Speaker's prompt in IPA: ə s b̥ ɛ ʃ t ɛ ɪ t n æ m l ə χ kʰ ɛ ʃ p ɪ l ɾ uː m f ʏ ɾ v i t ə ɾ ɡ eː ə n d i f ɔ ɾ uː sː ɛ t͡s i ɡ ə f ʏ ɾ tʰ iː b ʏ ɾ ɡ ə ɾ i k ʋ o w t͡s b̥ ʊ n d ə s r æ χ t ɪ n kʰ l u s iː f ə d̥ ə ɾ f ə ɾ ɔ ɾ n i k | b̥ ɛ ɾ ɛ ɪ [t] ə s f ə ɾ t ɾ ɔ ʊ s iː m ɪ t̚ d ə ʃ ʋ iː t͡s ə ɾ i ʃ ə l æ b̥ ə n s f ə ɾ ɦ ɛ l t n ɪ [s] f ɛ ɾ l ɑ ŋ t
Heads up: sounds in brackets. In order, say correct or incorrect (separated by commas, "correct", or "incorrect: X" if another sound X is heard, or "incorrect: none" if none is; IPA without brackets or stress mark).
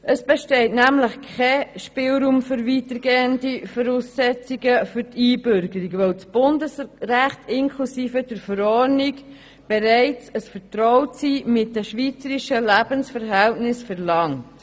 incorrect: t͡s, correct